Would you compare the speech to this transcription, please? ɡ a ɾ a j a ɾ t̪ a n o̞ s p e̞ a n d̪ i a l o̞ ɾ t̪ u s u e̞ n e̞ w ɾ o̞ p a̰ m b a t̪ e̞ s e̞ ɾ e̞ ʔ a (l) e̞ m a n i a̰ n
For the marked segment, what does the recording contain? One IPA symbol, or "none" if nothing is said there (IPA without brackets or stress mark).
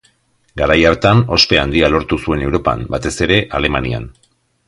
l